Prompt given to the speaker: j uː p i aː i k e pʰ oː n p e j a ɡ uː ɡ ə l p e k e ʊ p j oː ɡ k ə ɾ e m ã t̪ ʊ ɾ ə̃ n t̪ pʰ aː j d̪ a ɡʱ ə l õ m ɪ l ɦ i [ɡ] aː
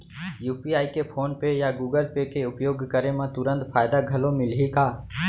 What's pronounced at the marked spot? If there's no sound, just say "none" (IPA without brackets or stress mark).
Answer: k